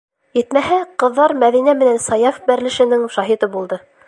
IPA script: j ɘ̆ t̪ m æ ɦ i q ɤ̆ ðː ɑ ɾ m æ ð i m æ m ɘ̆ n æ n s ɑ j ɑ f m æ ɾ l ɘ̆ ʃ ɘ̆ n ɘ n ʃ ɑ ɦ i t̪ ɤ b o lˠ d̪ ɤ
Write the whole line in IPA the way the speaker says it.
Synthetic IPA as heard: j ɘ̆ t̪ m æ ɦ æ q ɤ̆ ðː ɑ ɾ m æ ð i n æ m ɘ̆ n æ n s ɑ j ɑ f b æ ɾ l ɘ̆ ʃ ɘ̆ n ɘ ŋ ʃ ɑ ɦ i t̪ ɤ b u lˠ d̪ ɤ